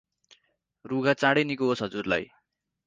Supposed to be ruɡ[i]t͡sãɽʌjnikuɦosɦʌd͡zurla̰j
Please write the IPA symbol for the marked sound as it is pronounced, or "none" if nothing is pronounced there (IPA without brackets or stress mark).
a